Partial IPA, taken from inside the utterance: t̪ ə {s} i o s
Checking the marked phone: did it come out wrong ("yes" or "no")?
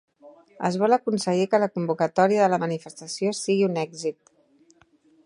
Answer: no